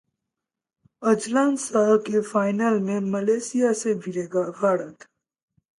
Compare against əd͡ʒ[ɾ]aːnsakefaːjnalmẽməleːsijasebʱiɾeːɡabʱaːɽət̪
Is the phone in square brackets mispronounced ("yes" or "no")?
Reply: yes